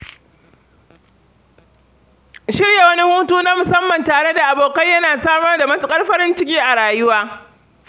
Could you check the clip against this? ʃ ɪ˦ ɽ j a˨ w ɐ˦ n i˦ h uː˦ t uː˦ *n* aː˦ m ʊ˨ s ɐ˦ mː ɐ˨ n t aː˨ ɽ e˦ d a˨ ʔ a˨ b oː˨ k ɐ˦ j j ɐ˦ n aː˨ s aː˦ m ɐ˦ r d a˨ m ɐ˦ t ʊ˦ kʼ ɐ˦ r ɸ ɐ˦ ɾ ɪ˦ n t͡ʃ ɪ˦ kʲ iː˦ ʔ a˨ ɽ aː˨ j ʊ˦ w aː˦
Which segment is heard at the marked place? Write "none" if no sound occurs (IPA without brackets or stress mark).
n